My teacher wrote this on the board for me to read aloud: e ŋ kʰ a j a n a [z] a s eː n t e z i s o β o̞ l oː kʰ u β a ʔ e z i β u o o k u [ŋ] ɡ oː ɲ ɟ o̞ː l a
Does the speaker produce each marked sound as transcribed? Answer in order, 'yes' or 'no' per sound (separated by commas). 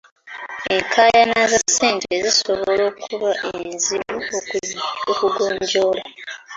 yes, no